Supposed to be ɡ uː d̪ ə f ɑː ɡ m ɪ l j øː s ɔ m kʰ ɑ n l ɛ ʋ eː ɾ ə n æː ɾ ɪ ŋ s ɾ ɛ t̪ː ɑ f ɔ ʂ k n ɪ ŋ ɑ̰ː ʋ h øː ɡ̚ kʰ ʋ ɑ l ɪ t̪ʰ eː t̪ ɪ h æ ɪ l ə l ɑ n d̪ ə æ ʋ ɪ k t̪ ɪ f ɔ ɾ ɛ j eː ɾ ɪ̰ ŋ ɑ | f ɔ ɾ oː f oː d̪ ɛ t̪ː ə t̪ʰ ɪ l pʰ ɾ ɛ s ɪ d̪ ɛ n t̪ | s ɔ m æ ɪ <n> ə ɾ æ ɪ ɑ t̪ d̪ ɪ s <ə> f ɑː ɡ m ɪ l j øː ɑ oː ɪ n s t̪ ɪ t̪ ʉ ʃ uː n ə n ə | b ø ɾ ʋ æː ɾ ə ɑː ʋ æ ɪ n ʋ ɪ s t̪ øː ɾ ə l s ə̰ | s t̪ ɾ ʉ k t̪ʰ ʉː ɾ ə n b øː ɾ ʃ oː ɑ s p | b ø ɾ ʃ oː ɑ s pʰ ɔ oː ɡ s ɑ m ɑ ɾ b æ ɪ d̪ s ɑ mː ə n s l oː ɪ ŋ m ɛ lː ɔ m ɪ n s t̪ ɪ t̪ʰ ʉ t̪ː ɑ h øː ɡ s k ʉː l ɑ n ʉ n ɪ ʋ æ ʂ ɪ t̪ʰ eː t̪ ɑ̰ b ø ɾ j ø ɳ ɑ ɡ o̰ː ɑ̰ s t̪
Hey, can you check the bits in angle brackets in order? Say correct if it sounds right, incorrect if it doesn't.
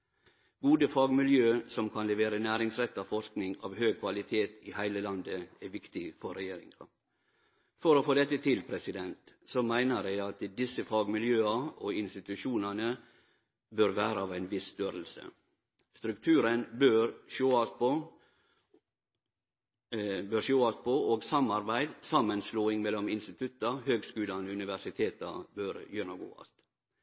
correct, correct

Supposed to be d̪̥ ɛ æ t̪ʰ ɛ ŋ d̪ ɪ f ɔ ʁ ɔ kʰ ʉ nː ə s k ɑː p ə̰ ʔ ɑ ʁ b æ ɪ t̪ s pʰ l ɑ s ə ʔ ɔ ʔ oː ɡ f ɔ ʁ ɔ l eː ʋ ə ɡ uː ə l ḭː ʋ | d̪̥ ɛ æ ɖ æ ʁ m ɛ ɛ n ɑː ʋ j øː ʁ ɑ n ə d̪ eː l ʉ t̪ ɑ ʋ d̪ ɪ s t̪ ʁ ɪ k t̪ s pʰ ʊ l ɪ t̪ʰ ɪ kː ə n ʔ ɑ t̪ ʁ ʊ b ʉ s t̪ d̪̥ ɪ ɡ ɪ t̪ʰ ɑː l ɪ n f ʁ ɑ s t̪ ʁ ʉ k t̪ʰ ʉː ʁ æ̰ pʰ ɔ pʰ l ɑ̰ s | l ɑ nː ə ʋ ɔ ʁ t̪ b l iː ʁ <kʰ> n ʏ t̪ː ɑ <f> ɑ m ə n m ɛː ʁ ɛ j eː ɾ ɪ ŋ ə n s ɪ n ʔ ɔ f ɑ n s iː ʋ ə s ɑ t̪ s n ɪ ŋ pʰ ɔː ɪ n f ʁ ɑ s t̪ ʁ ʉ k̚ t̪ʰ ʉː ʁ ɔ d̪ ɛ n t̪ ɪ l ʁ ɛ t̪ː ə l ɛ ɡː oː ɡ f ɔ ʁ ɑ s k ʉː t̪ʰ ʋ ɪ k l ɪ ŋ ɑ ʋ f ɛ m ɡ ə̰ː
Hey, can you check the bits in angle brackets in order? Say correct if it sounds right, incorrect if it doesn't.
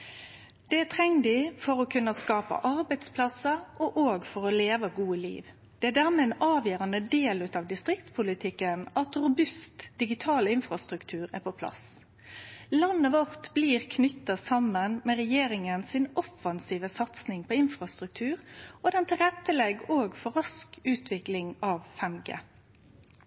correct, incorrect: s

